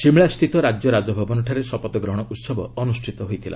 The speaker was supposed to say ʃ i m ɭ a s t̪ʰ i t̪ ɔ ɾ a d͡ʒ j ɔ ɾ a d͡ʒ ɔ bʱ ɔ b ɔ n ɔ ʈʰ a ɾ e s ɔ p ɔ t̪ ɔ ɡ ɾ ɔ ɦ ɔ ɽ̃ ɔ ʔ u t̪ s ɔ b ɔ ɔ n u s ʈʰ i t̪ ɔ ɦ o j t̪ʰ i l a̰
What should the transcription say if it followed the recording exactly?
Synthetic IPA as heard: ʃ i m ɭ a s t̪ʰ i t̪ ɔ ɾ a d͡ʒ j ɔ ɾ a d͡ʒ ɔ bʱ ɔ b ɔ n ɔ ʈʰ a ɾ e s ɔ p ɔ t̪ ɔ ɡ ɾ ɔ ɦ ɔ ɽ̃ ɔ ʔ u t̪ s ɔ b ɔ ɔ n u s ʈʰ i t̪ ɔ ɦ o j t̪ʰ i l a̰

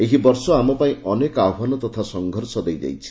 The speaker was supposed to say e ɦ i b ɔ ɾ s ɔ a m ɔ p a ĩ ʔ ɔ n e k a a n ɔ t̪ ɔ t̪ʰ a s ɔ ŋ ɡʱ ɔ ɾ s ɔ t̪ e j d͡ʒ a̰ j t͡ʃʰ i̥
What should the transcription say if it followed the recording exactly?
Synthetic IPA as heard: e ɦ i b ɔ ɾ s ɔ a m ɔ p a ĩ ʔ ɔ n e k a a n ɔ t̪ ɔ t̪ʰ a s ɔ ŋ ɡʱ ɔ ɾ s ɔ d̪ e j d͡ʒ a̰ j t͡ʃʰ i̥

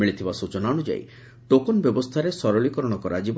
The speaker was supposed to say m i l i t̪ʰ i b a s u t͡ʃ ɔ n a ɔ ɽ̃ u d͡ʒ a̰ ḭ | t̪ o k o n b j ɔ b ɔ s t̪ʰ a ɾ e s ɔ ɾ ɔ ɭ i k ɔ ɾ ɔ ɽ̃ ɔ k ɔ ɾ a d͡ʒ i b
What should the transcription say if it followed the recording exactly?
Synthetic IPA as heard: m i ɭ i t̪ʰ i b a s u t͡ʃ ɔ n a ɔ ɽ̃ u d͡ʒ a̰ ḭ | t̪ o k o n b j ɔ b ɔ s t̪ʰ a ɾ e s ɔ ɾ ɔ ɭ i k ɔ ɾ ɔ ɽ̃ ɔ k ɔ ɾ a d͡ʒ i b

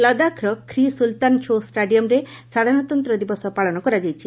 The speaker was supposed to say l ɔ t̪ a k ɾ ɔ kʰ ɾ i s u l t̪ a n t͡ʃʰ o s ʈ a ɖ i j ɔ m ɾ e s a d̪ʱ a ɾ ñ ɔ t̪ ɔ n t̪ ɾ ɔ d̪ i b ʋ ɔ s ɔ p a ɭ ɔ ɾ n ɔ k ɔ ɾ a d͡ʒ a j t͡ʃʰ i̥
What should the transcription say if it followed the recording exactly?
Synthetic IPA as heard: l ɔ d̪ a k ɾ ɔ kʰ ɾ i s u l t̪ a n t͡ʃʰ o s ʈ a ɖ i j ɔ m ɾ e s a d̪ʱ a ɾ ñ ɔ t̪ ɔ n t̪ ɾ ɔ d̪ i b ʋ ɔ s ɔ p a ɭ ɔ n ɔ k ɔ ɾ a d͡ʒ a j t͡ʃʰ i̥

